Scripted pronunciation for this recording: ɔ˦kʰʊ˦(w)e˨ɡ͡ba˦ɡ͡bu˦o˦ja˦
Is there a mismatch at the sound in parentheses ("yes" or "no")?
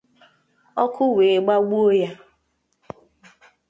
no